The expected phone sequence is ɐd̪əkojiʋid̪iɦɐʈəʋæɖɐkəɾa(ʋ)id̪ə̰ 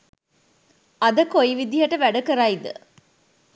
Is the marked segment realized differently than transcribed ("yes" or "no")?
yes